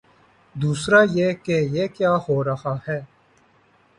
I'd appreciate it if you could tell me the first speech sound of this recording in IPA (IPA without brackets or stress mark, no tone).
d̪